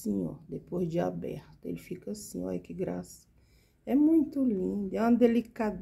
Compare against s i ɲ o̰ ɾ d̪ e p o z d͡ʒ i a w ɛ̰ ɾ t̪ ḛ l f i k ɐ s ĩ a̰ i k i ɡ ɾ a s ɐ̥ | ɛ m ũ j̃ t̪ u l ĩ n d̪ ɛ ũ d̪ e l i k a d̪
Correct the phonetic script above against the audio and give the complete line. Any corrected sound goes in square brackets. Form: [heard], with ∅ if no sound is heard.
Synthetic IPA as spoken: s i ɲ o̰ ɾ d̪ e p o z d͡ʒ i a [b] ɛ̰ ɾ t̪ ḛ l f i k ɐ s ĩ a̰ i k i ɡ ɾ a s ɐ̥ | ɛ m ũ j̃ t̪ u l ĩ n d̪ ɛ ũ d̪ e l i k a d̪